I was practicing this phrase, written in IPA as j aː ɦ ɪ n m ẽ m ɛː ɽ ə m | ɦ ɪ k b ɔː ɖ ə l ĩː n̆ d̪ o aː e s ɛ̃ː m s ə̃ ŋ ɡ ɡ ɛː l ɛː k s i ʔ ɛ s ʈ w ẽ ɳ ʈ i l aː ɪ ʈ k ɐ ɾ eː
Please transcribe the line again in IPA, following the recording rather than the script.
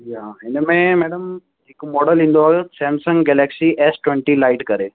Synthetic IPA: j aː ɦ ɪ n m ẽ m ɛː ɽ ə m | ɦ ɪ k m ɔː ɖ ə l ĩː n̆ d̪ o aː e s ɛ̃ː m s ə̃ ŋ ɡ ɡ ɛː l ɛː k s i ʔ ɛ s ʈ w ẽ ɳ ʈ i l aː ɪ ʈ k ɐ ɾ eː